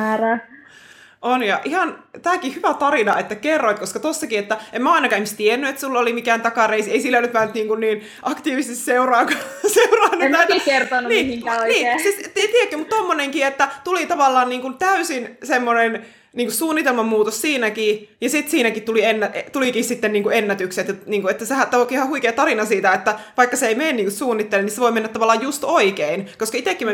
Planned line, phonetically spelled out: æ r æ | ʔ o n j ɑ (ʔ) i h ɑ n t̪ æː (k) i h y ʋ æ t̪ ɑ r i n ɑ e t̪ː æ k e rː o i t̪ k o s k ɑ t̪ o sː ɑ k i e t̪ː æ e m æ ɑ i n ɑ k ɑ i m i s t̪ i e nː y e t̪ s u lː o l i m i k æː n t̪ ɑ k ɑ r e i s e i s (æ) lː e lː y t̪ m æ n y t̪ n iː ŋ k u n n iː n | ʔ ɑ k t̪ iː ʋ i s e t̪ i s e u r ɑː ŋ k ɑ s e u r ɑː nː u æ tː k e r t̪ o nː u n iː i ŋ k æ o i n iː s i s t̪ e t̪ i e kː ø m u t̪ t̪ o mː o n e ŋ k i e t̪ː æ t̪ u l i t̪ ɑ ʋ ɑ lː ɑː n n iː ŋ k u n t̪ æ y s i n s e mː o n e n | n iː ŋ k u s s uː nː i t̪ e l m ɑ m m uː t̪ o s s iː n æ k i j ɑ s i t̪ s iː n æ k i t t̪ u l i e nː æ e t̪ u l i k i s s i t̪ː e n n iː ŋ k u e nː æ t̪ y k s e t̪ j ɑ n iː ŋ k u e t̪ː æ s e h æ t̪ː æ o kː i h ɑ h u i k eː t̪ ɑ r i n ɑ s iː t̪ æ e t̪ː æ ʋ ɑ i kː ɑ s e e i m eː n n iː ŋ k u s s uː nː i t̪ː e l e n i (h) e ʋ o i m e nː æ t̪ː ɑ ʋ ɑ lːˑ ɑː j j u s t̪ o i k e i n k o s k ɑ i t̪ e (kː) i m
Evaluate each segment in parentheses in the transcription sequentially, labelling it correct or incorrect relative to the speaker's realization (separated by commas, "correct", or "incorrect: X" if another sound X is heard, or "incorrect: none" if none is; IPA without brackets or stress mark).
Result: correct, correct, incorrect: i, incorrect: s, correct